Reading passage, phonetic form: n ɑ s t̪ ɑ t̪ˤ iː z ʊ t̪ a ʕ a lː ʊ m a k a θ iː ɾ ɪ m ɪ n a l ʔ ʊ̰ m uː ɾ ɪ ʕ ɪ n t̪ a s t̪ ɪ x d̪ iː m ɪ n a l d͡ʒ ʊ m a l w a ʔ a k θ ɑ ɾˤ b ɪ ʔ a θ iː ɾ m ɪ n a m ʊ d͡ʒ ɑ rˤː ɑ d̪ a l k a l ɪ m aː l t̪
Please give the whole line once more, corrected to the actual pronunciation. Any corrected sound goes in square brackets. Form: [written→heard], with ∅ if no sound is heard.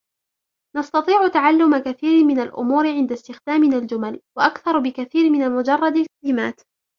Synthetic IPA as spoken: n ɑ s t̪ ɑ t̪ˤ iː [z→ʕ] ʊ t̪ a ʕ a lː ʊ m a k a θ iː ɾ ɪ m ɪ n a l ʔ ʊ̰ m uː ɾ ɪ ʕ ɪ n [t̪→d̪] a s t̪ ɪ x d̪ [iː→aː] m ɪ n a l d͡ʒ ʊ m a l w a ʔ a k θ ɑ ɾˤ b ɪ [ʔ→k] a θ iː ɾ m ɪ n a m ʊ d͡ʒ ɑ rˤː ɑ d̪ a l k a l ɪ m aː [l→∅] t̪